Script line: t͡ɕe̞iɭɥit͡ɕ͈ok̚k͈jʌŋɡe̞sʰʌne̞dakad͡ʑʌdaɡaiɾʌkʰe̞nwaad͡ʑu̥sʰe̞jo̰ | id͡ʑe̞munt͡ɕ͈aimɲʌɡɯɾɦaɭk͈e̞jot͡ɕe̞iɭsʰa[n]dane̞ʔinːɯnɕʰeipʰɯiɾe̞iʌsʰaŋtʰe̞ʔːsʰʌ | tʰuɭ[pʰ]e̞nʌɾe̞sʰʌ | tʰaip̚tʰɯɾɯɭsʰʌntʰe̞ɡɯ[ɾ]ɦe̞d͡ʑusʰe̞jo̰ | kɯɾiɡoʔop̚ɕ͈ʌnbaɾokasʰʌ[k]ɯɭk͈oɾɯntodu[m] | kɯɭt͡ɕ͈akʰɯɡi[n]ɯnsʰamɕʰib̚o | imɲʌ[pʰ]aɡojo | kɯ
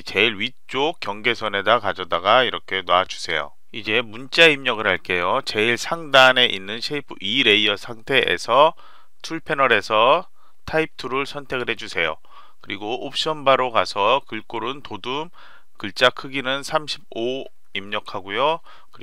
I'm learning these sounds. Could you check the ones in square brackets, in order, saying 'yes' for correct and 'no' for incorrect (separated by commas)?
no, yes, no, yes, yes, yes, no